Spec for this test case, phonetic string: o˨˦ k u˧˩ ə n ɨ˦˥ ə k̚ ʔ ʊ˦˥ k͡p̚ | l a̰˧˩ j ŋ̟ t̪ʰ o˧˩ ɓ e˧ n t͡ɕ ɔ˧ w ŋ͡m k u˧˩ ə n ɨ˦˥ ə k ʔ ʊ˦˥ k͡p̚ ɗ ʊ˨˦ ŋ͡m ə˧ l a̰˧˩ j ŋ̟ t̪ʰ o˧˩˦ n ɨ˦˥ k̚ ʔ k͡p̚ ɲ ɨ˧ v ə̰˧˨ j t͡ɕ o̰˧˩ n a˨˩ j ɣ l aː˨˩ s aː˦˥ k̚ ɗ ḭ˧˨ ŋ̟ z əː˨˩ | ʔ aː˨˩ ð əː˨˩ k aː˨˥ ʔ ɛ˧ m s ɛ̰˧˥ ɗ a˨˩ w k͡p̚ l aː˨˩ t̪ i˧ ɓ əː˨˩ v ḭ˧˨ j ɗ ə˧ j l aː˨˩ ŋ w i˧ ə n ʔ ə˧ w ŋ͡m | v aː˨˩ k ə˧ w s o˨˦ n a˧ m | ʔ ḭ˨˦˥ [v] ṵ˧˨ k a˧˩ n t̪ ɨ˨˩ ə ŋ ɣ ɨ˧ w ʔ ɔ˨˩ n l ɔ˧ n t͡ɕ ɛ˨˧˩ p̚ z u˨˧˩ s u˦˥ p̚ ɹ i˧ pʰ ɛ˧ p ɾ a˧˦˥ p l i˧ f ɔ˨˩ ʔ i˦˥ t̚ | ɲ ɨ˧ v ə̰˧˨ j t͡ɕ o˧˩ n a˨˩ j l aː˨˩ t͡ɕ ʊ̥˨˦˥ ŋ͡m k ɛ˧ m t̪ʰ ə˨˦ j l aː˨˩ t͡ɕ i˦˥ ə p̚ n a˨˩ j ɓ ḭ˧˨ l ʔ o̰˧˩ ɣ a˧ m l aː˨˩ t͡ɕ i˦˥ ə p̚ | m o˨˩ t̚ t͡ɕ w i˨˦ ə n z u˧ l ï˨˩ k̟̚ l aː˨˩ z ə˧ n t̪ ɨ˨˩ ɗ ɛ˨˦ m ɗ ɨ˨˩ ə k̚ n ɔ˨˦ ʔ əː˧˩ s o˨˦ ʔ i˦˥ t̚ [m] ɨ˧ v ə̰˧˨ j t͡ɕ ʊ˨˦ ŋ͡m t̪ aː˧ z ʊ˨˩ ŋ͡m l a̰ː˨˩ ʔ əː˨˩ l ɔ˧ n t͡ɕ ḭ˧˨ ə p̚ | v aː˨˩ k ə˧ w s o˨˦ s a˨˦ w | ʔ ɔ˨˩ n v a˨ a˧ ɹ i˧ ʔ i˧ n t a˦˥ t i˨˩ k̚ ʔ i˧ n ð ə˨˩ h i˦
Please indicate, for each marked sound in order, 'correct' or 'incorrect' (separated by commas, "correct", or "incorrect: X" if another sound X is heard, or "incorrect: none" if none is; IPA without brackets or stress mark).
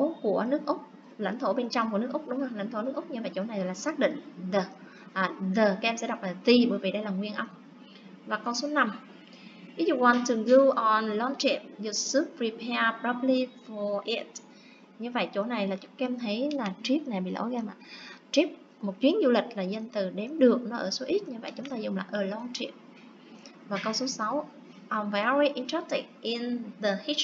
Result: incorrect: z, incorrect: ɲ